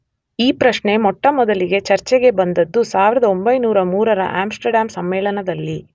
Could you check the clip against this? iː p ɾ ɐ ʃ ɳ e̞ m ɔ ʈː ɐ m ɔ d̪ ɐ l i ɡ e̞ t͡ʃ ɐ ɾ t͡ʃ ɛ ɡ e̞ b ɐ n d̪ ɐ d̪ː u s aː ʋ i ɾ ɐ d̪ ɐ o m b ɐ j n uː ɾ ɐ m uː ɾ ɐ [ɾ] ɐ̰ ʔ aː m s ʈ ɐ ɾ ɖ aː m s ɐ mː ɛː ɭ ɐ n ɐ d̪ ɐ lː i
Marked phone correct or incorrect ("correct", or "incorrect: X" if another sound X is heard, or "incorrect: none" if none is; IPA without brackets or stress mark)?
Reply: correct